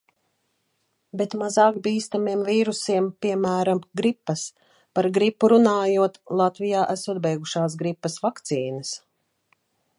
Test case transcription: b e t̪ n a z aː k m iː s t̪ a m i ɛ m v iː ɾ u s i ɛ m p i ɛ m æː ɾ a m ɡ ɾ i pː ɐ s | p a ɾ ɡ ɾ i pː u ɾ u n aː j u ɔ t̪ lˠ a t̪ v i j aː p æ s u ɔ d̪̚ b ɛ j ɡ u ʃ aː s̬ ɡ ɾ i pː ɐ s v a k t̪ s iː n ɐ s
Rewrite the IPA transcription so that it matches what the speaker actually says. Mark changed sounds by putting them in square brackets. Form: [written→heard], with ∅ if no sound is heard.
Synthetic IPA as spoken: b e t̪ [n→m] a z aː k [m→b] iː s t̪ a m i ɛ m v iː ɾ u s i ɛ m p i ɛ m æː ɾ a m ɡ ɾ i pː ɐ s | p a ɾ ɡ ɾ i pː u ɾ u n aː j u ɔ t̪ lˠ a t̪ v i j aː [p→ʔ] æ s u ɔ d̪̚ b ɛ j ɡ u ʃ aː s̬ ɡ ɾ i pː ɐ s v a k t̪ s iː n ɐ s